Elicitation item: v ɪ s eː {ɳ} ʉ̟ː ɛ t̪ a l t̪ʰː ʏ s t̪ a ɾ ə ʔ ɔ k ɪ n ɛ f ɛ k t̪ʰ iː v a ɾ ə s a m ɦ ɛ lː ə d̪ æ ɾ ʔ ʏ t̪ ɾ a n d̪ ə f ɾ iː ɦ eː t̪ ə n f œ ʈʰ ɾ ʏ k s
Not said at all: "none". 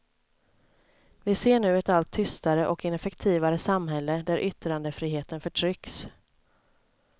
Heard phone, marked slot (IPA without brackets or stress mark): ɳ